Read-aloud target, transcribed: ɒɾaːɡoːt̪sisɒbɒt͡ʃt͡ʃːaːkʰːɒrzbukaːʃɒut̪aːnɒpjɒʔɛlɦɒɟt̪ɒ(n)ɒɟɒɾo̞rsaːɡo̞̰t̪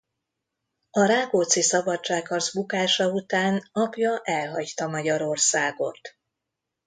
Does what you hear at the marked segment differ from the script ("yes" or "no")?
yes